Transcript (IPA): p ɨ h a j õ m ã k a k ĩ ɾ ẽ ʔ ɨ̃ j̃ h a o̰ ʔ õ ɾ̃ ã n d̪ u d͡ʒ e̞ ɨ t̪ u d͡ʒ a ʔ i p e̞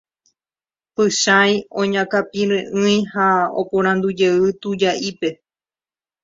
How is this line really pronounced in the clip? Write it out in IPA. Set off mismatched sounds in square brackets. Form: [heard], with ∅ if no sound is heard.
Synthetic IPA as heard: p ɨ [ʃ] a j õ [ɲ] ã k a [p] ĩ ɾ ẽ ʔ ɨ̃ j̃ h a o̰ [p] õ ɾ̃ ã n d̪ u d͡ʒ e̞ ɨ t̪ u d͡ʒ a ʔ i p e̞